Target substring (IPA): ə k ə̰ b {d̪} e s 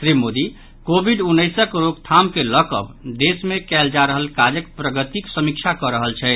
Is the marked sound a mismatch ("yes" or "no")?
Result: no